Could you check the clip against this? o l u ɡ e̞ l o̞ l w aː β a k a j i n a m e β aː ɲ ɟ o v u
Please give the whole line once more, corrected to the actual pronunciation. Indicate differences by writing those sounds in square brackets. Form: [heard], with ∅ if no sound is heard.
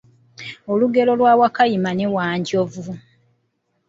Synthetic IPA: o l u ɡ e̞ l o̞ l w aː [w] a k a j i [m] a [n] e [w] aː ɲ ɟ o v u